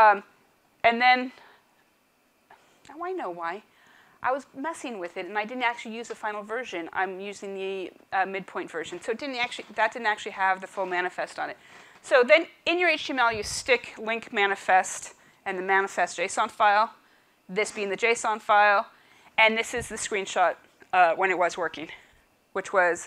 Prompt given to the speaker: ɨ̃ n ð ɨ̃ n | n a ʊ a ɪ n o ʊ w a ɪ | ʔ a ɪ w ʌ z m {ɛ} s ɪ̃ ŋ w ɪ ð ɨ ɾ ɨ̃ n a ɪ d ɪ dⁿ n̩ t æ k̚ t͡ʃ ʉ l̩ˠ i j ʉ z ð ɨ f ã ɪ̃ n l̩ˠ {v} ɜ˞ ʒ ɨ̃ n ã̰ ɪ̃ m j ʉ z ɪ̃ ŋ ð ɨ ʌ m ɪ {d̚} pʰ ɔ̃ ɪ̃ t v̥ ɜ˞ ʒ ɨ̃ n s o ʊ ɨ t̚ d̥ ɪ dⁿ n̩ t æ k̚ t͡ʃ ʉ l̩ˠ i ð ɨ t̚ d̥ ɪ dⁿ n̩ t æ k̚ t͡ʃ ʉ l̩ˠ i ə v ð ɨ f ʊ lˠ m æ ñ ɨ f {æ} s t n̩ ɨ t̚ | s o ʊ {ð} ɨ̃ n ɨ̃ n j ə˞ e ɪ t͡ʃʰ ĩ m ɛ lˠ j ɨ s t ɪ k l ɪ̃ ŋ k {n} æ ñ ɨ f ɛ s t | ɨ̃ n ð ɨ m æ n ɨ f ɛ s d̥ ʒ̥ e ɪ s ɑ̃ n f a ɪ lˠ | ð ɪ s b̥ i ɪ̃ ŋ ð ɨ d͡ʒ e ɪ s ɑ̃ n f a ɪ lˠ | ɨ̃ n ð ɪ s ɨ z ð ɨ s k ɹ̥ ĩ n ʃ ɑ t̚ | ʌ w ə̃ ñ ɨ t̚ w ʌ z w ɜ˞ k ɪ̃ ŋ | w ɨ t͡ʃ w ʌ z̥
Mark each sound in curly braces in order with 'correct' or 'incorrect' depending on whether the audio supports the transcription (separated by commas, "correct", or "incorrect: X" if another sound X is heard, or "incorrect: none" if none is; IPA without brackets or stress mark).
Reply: correct, correct, correct, incorrect: ɛ, correct, incorrect: m